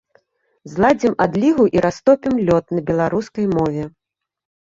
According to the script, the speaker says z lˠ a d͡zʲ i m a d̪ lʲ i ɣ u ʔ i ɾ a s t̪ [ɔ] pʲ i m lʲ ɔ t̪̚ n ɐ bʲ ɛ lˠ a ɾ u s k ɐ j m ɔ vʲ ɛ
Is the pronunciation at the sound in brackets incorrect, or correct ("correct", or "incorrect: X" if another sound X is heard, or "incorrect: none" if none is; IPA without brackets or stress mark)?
correct